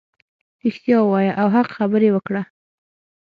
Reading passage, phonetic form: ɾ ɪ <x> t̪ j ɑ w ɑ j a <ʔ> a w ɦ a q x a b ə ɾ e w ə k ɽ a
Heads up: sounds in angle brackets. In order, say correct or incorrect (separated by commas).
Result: correct, correct